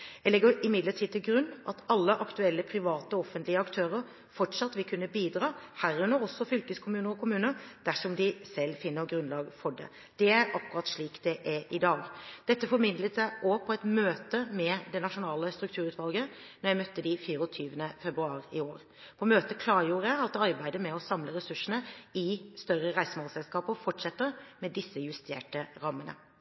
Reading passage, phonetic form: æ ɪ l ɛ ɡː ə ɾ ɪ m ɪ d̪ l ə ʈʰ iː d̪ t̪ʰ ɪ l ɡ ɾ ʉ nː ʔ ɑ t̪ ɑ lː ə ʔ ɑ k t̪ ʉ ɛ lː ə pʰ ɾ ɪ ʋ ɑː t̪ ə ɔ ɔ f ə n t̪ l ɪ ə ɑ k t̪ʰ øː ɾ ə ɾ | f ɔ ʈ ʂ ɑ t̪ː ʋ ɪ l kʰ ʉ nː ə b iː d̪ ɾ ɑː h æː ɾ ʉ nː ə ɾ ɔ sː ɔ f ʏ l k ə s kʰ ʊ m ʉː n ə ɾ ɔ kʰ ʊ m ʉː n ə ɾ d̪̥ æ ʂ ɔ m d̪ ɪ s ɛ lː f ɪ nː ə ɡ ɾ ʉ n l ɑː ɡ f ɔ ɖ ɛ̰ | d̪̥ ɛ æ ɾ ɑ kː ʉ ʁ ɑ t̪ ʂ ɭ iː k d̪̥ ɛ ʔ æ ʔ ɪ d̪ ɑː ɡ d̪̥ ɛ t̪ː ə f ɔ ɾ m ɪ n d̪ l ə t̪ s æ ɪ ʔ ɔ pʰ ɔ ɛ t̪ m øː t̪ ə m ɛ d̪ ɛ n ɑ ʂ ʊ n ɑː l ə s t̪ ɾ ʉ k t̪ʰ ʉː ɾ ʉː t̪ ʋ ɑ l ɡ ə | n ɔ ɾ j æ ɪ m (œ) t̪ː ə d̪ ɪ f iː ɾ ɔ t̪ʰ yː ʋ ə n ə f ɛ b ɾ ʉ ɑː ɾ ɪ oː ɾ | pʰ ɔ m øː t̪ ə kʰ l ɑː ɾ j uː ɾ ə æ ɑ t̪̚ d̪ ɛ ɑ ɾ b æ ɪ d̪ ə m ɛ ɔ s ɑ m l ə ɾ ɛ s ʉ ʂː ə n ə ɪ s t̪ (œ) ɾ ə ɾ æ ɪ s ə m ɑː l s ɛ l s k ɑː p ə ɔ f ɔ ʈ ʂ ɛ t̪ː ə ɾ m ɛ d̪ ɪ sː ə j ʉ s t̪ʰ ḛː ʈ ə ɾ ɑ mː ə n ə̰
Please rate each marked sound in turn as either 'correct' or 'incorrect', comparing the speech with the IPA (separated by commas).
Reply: correct, correct